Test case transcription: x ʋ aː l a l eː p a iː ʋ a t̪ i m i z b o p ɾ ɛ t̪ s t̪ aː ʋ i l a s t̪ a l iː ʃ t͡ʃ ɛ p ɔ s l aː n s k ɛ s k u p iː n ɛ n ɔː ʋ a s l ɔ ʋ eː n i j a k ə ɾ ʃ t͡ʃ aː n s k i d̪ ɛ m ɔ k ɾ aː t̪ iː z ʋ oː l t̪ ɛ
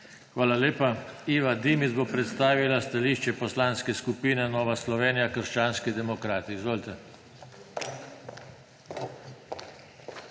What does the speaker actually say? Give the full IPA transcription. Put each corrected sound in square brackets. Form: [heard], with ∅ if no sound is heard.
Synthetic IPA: x ʋ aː l a l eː p a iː ʋ a [d̪] i m i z b o p ɾ ɛ t̪ s t̪ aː ʋ i l a s t̪ a l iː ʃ t͡ʃ ɛ p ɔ s l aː n s k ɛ s k u p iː n ɛ n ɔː ʋ a s l ɔ ʋ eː n i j a k ə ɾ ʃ t͡ʃ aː n s k i d̪ ɛ m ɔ k ɾ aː t̪ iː z ʋ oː l t̪ ɛ